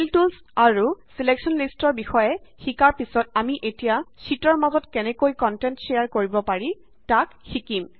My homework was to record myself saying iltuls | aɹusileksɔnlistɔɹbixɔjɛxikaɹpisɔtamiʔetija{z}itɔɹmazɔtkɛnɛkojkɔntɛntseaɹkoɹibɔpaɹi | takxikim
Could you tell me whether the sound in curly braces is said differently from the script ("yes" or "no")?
yes